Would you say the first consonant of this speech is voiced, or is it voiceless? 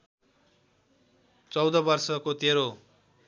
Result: voiceless